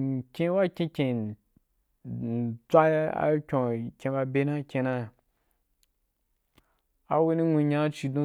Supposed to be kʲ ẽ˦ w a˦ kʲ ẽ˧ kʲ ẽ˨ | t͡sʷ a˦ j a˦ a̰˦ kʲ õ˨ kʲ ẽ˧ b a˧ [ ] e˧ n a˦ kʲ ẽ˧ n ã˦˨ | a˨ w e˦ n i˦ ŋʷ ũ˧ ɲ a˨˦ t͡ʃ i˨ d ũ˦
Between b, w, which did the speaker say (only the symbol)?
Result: b